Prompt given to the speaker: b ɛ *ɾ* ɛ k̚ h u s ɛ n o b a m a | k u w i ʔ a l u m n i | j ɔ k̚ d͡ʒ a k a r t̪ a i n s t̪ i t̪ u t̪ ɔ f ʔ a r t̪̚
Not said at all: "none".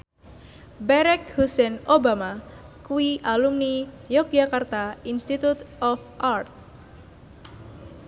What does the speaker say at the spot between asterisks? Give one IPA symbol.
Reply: ɾ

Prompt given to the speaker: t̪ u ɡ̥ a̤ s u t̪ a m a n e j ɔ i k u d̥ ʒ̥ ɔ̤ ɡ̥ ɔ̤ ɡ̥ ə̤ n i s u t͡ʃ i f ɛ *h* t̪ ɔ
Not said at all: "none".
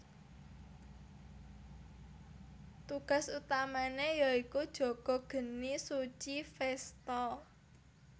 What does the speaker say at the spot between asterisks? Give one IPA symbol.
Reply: s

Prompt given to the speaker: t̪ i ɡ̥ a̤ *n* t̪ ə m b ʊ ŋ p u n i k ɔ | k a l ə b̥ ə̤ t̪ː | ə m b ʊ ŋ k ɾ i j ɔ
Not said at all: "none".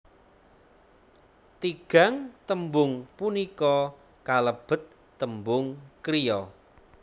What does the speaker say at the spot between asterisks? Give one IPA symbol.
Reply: ŋ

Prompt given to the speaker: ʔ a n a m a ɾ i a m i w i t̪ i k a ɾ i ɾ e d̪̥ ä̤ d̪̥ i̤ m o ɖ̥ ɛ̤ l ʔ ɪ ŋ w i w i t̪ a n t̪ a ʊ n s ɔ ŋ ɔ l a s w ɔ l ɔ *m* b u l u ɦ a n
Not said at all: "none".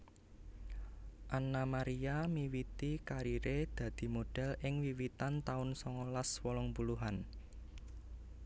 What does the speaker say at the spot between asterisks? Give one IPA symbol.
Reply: ŋ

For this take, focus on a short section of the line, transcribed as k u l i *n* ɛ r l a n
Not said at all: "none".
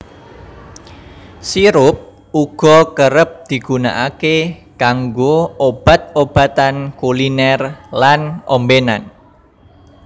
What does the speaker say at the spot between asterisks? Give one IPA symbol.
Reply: n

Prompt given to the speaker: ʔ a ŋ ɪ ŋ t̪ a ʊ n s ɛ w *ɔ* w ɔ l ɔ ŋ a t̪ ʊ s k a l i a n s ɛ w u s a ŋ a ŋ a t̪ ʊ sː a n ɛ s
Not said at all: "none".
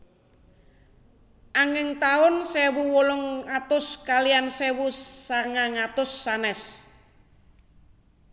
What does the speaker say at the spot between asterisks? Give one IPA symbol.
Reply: u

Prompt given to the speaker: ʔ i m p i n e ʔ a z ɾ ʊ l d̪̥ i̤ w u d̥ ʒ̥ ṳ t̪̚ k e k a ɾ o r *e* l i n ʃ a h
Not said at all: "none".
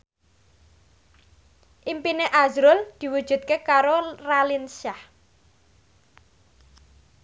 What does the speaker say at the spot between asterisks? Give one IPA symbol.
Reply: a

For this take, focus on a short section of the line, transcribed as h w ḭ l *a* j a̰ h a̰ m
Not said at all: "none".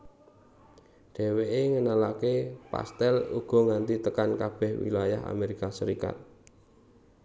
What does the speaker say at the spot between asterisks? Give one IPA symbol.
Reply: a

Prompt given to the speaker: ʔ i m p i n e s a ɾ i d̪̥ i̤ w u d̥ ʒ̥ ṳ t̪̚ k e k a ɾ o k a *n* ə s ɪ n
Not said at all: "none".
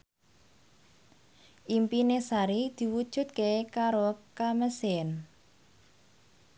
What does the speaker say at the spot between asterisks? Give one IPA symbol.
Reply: m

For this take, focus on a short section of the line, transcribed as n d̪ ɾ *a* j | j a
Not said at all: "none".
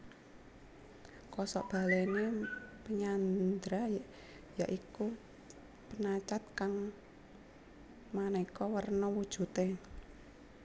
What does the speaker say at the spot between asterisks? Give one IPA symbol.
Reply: a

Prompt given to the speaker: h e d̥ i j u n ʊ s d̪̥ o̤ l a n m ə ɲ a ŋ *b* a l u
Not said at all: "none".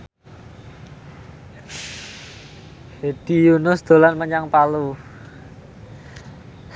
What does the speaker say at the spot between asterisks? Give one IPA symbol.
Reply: p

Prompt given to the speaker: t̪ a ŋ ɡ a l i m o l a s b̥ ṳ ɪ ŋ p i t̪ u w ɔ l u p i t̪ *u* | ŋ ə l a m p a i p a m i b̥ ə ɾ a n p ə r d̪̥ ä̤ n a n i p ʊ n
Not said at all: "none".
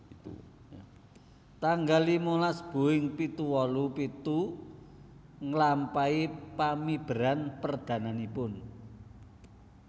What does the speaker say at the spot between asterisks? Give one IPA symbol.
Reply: u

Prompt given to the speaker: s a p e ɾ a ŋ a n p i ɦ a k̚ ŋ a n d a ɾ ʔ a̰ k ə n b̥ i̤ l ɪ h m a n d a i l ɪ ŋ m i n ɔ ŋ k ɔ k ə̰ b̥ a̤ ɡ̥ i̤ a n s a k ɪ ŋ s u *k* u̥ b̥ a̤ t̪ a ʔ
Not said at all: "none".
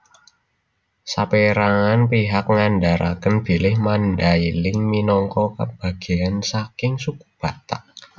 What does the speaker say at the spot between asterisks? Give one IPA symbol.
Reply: k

